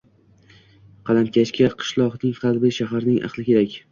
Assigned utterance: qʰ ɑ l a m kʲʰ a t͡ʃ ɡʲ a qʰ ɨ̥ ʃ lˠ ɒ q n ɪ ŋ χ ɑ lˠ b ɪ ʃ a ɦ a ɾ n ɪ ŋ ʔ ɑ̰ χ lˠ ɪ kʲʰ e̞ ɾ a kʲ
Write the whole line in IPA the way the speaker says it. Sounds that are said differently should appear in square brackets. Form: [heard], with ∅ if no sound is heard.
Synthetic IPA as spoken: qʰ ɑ l a m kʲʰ a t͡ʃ [kʲ] a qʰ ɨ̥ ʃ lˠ ɒ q n ɪ ŋ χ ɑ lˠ b ɪ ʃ a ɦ a ɾ n ɪ ŋ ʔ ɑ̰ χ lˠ ɪ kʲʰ e̞ ɾ a kʲ